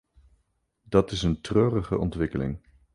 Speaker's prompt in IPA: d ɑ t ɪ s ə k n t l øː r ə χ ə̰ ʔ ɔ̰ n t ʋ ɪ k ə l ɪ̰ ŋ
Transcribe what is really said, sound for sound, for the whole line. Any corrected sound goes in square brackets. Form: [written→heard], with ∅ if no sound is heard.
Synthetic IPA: d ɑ t ɪ s ə [k→∅] n t [l→r] øː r ə χ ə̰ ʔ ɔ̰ n t ʋ ɪ k ə l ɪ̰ ŋ